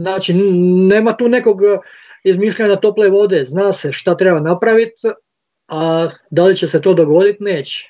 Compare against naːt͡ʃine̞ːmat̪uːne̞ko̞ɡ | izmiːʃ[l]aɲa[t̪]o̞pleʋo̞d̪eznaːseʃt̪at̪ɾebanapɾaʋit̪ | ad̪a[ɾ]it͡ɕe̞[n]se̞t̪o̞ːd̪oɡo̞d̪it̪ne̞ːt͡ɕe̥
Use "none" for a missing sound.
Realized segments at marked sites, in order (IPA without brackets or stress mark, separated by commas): ʎ, t̪, l, none